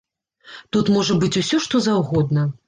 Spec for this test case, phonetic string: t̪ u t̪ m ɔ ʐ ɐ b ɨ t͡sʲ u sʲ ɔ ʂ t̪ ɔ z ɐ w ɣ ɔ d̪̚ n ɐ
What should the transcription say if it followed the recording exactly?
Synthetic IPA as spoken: t̪ u t̪ m ɔ ʐ ɐ b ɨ t͡sʲ u sʲ ɔ ʂ t̪ ɔ z a w ɣ ɔ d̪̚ n ɐ